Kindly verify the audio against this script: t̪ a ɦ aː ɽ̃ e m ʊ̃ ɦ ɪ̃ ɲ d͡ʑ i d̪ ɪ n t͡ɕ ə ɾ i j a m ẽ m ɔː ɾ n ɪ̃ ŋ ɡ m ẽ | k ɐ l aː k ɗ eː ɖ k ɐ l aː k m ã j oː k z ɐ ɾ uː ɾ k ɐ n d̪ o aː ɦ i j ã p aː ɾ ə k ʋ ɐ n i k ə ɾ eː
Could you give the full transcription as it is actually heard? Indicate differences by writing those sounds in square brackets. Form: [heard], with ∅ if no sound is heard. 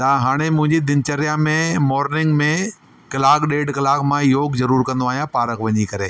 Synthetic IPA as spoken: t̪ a ɦ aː ɽ̃ e m ʊ̃ ɦ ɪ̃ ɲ d͡ʑ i d̪ ɪ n t͡ɕ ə ɾ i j a m ẽ m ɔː ɾ n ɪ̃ ŋ ɡ m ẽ | k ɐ l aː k ɗ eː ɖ k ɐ l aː k m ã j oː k z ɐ ɾ uː ɾ k [ɐ̃] n d̪ o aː ɦ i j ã p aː ɾ ə k ʋ ɐ [ɲ] i k [ɐ] ɾ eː